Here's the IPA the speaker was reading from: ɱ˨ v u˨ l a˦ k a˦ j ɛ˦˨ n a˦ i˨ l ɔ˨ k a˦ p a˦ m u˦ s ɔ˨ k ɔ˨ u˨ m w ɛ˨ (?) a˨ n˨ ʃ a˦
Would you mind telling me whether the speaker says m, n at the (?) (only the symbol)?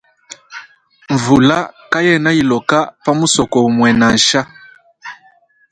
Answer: n